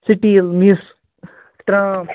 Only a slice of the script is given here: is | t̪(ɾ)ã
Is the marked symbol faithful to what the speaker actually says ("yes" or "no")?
yes